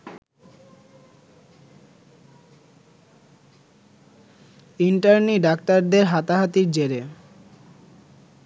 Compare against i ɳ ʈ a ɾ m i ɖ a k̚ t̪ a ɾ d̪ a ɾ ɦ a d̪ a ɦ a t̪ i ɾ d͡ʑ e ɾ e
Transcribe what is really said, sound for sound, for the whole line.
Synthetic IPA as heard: i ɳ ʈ a ɾ n i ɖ a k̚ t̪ a ɾ d̪ e ɾ ɦ a t̪ a ɦ a t̪ i ɾ d͡ʑ e ɾ e

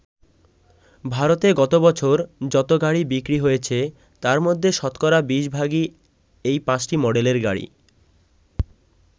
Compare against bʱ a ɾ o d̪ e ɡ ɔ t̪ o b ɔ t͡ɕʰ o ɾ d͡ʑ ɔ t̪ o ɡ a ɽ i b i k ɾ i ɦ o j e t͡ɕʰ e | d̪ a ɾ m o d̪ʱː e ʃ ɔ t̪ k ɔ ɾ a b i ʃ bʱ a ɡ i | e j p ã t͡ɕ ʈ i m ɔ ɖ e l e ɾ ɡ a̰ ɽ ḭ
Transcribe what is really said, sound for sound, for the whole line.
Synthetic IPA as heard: bʱ a ɾ o t̪ e ɡ ɔ t̪ o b ɔ t͡ɕʰ o ɾ d͡ʑ ɔ t̪ o ɡ a ɽ i b i k ɾ i ɦ o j e t͡ɕʰ e | t̪ a ɾ m o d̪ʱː e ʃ ɔ t̪ k ɔ ɾ a b i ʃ bʱ a ɡ i | e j p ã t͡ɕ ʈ i m ɔ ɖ e l e ɾ ɡ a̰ ɽ ḭ

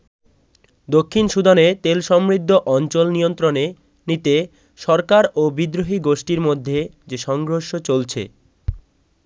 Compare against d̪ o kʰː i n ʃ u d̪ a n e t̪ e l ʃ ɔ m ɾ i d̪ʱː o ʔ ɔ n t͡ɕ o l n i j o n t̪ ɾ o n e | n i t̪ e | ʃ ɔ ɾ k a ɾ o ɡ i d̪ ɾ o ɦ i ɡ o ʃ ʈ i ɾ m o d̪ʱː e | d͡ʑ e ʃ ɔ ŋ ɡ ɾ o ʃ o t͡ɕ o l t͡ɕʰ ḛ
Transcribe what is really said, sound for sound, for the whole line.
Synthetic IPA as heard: d̪ o kʰː i n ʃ u d̪ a n e t̪ e l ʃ ɔ m ɾ i d̪ʱː o ʔ ɔ n t͡ɕ o l n i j o n t̪ ɾ o n e | n i t̪ e | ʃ ɔ ɾ k a ɾ o b i d̪ ɾ o ɦ i ɡ o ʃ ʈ i ɾ m o d̪ʱː e | d͡ʑ e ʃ ɔ ŋ ɡ ɾ o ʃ o t͡ɕ o l t͡ɕʰ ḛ

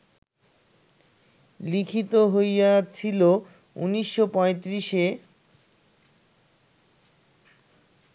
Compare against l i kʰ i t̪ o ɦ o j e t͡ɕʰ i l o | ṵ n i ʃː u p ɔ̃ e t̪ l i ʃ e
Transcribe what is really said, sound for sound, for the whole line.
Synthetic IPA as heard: l i kʰ i t̪ o ɦ o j a t͡ɕʰ i l o | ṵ n i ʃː o p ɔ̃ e t̪ ɾ i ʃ e

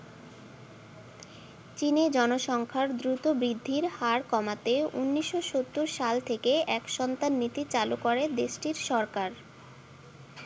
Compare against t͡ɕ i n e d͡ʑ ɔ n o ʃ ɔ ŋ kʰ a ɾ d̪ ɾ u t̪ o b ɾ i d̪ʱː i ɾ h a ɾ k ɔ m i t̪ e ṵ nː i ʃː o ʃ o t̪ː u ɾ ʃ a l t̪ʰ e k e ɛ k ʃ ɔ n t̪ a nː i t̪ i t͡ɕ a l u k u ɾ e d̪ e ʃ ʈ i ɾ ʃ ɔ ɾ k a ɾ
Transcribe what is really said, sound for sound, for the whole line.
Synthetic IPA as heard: t͡ɕ i n e d͡ʑ ɔ n o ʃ ɔ ŋ kʰ a ɾ d̪ ɾ u t̪ o b ɾ i d̪ʱː i ɾ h a ɾ k ɔ m a t̪ e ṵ nː i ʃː o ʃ o t̪ː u ɾ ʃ a l t̪ʰ e k e ɛ k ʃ ɔ n t̪ a nː i t̪ i t͡ɕ a l u k o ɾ e d̪ e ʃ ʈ i ɾ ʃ ɔ ɾ k a ɾ

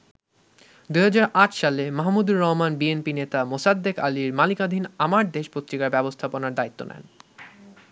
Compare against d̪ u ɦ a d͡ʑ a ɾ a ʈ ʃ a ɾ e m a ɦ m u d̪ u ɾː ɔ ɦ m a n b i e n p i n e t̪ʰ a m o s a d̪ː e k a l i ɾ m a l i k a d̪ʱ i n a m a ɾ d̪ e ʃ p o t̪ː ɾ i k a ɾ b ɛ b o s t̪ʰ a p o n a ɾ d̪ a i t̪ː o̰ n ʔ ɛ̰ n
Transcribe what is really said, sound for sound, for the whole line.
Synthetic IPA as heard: d̪ u ɦ a d͡ʑ a ɾ a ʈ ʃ a l e m a ɦ m u d̪ u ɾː ɔ ɦ m a n b i e n p i n e t̪ a m o s a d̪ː e k a l i ɾ m a l i k a d̪ʱ i n a m a ɾ d̪ e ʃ p o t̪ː ɾ i k a ɾ b ɛ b o s t̪ʰ a p o n a ɾ d̪ a i t̪ː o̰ n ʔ ɛ̰ n

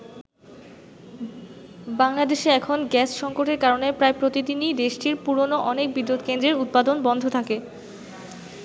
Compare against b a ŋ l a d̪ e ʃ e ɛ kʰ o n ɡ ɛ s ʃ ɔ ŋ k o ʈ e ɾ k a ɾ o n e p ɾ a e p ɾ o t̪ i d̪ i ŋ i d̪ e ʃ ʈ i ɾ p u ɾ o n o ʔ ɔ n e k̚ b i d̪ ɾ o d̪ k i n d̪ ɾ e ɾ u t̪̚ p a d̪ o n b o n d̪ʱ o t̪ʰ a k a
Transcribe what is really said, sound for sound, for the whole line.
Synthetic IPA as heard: b a ŋ l a d̪ e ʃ e ɛ kʰ o n ɡ ɛ s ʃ ɔ ŋ k o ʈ e ɾ k a ɾ o n e p ɾ a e p ɾ o t̪ i d̪ i n i d̪ e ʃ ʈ i ɾ p u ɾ o n o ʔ ɔ n e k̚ b i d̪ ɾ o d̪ k e n d̪ ɾ e ɾ u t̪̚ p a d̪ o n b ɔ n d̪ʱ o t̪ʰ a k e

